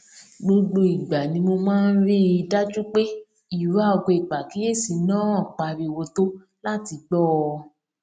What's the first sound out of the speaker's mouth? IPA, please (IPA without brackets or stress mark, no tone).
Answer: ɡ͡b